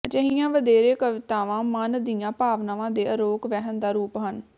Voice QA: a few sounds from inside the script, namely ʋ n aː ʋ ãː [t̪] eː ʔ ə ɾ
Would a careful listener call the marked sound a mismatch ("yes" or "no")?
yes